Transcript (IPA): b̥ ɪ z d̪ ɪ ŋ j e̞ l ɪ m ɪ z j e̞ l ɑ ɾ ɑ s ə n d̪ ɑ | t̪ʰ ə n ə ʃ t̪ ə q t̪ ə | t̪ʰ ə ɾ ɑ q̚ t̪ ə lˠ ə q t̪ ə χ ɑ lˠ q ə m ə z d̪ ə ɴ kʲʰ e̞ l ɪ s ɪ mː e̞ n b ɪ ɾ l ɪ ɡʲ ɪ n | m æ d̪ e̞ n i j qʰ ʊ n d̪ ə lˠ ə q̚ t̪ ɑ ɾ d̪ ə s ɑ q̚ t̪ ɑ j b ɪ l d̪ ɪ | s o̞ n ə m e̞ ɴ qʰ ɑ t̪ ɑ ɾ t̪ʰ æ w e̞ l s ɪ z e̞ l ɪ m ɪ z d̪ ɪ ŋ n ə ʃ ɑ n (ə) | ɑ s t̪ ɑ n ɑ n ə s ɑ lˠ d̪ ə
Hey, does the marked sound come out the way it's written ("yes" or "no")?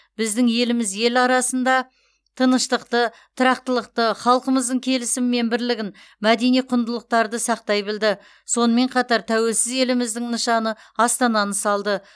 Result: yes